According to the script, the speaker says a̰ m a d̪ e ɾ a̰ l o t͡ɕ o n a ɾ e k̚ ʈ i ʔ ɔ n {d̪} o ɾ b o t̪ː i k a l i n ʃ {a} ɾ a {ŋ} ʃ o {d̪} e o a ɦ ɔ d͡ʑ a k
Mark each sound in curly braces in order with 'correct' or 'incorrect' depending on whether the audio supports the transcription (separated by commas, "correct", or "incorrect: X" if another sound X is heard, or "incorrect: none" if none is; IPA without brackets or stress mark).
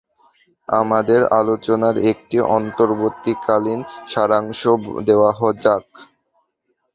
incorrect: t̪, correct, correct, correct